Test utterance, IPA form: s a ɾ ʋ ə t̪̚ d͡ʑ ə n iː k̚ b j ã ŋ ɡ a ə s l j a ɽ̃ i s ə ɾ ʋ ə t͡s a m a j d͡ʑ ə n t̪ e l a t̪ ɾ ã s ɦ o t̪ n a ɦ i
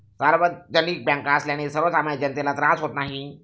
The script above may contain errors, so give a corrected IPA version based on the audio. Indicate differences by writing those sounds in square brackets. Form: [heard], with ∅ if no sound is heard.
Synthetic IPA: s a ɾ ʋ ə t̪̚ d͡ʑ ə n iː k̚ b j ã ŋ [k] a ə s l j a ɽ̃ i s ə ɾ ʋ ə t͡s a m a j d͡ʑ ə n t̪ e l a t̪ ɾ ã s ɦ o t̪ n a ɦ i